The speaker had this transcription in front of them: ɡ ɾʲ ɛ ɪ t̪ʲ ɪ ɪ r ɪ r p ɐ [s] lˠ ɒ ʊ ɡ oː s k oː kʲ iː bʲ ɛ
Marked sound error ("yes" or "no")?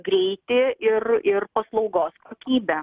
no